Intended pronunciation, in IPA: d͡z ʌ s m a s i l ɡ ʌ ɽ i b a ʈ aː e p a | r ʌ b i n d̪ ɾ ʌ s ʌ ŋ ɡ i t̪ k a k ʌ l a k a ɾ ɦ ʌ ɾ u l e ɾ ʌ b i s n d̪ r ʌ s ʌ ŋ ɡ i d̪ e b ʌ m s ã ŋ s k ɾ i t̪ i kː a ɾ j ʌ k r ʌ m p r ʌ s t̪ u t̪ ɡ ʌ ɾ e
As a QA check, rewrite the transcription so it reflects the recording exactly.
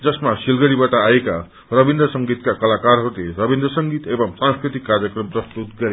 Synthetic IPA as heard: d͡z ʌ s m a s i l ɡ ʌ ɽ i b a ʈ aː e k a | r ʌ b i n d̪ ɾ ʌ s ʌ ŋ ɡ i t̪ k a k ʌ l a k a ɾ ɦ ʌ ɾ u l e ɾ ʌ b i n d̪ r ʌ s ʌ ŋ ɡ i t̪ e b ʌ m s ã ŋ s k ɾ i t̪ i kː a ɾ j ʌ k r ʌ m p r ʌ s t̪ u t̪ ɡ ʌ ɾ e